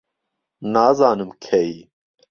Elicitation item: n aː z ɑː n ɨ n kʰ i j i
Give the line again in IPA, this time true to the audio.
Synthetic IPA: n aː z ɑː n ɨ m kʰ ɛ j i